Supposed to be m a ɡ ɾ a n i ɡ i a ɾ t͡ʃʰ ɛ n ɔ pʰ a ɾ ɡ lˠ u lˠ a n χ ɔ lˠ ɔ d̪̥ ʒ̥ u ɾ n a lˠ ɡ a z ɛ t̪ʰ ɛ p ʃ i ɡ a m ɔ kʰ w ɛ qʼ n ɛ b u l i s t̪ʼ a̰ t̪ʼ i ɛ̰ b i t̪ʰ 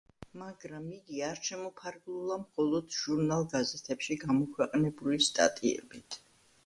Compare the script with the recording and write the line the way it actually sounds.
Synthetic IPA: m a ɡ ɾ a m i ɡ i a ɾ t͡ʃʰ ɛ m ɔ pʰ a ɾ ɡ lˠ u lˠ a m χ ɔ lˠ ɔ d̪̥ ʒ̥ u ɾ n a lˠ ɡ a z ɛ t̪ʰ ɛ p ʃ i ɡ a m ɔ kʰ w ɛ qʼ n ɛ b u l i s t̪ʼ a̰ t̪ʼ i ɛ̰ b i t̪ʰ